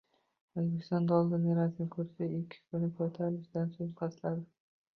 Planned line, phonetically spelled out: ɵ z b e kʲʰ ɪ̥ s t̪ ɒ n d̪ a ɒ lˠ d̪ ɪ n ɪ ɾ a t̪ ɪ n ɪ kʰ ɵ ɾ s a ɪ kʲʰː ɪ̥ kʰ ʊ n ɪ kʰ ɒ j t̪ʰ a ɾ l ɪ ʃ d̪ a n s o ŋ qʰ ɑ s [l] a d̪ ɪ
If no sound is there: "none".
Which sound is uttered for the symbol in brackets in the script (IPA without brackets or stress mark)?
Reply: l